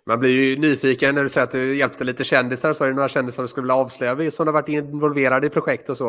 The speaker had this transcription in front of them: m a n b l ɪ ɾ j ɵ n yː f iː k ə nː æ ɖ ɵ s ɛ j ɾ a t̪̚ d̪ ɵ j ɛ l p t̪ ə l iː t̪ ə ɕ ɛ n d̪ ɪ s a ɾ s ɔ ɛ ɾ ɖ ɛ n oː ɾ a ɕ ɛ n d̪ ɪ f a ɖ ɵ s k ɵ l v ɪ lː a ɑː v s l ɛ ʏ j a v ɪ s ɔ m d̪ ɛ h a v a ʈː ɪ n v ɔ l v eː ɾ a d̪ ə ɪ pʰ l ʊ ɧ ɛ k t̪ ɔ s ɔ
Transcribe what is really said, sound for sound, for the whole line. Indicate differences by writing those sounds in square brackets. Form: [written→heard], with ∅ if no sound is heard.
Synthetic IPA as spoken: m a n b l ɪ ɾ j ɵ n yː f iː k ə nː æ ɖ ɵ s ɛ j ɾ a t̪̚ d̪ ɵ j ɛ l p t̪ ə l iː t̪ ə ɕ ɛ n d̪ ɪ s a ɾ s ɔ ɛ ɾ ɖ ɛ n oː ɾ a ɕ ɛ n d̪ ɪ [f→s] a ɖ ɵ s k ɵ l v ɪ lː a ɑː v s l [ɛ→œ] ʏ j a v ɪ s ɔ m d̪ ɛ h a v a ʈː ɪ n v ɔ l v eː ɾ a d̪ ə ɪ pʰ [l→ɾ] ʊ ɧ ɛ k t̪ ɔ s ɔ